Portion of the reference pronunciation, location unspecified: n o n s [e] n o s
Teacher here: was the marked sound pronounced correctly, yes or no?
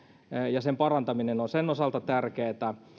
yes